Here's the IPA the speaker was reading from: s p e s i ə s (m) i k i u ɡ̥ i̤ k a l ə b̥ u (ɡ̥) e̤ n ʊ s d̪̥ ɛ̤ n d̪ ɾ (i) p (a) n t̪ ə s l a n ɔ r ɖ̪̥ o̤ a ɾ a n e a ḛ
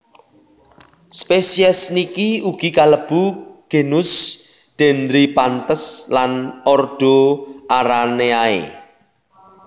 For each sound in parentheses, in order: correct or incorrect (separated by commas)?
incorrect, correct, correct, correct